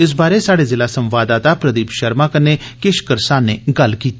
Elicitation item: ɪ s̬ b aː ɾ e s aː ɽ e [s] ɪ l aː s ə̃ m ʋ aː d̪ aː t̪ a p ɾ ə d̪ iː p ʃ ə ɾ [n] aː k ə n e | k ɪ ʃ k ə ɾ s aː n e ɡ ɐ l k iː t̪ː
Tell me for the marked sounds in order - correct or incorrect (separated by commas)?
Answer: incorrect, incorrect